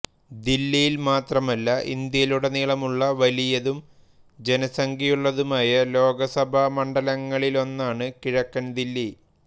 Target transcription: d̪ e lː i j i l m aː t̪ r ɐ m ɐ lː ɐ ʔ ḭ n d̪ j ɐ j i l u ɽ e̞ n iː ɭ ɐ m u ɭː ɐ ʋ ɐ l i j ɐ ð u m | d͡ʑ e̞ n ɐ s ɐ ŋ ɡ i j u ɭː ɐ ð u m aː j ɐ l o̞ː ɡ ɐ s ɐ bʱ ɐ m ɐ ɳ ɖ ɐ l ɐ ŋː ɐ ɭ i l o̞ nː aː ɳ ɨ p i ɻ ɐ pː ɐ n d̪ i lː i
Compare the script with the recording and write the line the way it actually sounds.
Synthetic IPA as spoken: d̪ i lː i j i l m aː t̪ r ɐ m ɐ lː ɐ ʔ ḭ n d̪ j ɐ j i l u ɽ e̞ n iː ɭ ɐ m u ɭː ɐ ʋ ɐ l i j ɐ ð u m | d͡ʑ e̞ n ɐ s ɐ ŋ ɡ i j u ɭː ɐ ð u m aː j ɐ l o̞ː ɡ ɐ s ɐ bʱ ɐ m ɐ ɳ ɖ ɐ l ɐ ŋː ɐ ɭ i l o̞ nː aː ɳ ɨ k i ɻ ɐ kː ɐ n d̪ i lː i